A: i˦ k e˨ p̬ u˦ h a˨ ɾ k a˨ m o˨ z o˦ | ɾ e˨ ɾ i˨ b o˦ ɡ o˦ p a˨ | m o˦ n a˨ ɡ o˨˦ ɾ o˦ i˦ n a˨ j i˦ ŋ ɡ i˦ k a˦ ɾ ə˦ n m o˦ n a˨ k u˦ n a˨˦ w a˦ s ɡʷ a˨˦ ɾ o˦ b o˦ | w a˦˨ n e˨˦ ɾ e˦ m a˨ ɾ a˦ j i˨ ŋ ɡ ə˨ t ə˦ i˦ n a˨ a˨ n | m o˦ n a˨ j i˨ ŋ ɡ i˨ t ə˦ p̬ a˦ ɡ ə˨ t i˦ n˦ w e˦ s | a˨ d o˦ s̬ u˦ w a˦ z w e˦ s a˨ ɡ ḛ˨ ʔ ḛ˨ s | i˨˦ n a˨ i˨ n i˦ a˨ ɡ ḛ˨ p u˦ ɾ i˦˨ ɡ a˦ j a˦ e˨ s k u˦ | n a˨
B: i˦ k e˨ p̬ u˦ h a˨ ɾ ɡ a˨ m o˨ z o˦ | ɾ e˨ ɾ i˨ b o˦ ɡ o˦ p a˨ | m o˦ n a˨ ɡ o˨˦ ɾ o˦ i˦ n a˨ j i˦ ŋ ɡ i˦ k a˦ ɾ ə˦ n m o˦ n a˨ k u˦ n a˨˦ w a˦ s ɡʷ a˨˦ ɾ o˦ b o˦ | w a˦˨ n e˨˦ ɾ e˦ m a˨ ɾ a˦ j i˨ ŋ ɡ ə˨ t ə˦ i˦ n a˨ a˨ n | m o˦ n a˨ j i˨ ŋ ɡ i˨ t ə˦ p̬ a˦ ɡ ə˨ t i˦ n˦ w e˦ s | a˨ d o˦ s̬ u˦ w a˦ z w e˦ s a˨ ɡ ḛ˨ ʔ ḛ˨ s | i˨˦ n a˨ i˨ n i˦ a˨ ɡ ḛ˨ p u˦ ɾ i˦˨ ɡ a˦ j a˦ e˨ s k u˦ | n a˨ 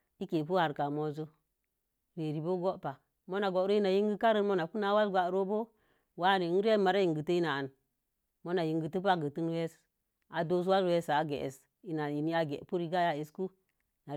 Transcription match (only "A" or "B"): A